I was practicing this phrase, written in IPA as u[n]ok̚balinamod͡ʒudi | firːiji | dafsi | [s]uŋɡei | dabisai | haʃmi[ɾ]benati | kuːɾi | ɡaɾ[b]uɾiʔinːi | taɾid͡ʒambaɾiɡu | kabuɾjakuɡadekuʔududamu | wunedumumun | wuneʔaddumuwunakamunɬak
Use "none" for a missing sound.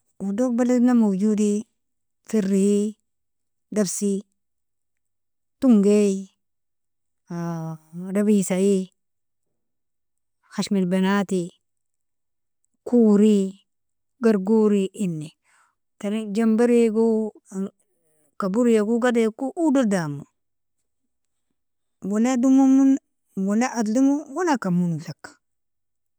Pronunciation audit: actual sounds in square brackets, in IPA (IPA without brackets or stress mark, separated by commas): d, t, l, ɡ